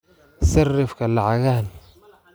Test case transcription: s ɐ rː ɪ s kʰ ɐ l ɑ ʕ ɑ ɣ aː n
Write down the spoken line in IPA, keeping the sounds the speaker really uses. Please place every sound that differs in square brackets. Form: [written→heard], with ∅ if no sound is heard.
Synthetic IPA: s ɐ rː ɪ [s→f] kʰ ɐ l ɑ ʕ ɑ ɣ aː n